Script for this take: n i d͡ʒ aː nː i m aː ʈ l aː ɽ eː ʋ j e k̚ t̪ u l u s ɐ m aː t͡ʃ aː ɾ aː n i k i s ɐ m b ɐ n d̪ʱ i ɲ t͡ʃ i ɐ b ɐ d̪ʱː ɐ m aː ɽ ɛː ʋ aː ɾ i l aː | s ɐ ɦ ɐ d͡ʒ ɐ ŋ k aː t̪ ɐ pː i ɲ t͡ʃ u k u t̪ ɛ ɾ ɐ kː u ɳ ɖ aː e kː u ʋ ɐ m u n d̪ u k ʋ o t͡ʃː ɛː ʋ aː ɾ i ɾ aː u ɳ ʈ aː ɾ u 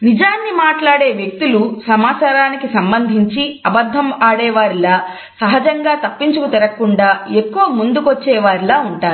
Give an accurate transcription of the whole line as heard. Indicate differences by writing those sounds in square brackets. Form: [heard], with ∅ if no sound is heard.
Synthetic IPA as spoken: n i d͡ʒ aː nː i m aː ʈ l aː ɽ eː ʋ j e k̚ t̪ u l u s ɐ m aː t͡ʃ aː ɾ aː n i k i s ɐ m b ɐ n d̪ʱ i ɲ t͡ʃ i ɐ b ɐ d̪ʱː ɐ m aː ɽ ɛː ʋ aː ɾ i l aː | s ɐ ɦ ɐ d͡ʒ ɐ ŋ [ɡ] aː t̪ ɐ pː i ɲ t͡ʃ u k u t̪ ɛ ɾ ɐ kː u ɳ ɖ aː e kː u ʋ ɐ m u n d̪ u k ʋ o t͡ʃː ɛː ʋ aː ɾ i [l] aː u ɳ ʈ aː ɾ u